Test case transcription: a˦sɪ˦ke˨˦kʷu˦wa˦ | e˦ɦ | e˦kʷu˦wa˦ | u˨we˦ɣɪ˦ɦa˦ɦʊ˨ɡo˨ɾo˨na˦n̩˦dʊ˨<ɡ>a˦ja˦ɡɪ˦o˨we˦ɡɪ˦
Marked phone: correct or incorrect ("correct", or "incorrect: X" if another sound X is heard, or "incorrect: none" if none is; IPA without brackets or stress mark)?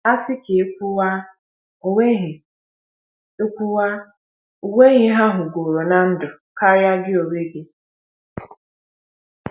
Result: incorrect: k